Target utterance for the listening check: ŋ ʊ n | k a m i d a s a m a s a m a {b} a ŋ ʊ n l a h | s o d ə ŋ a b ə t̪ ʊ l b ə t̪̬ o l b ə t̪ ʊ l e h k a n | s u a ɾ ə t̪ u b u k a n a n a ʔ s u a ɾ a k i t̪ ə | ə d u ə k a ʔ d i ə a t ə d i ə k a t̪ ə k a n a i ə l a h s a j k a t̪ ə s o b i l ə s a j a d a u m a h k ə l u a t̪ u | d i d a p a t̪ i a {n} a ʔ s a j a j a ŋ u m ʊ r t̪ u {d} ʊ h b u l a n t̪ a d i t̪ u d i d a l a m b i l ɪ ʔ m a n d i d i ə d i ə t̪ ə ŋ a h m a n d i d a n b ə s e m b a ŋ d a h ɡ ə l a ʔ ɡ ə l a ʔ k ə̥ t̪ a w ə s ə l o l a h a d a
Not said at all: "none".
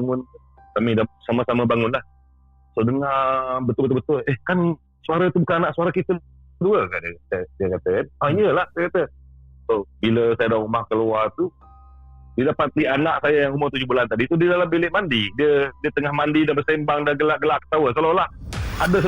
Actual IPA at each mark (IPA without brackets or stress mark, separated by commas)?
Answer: b, n, d͡ʒ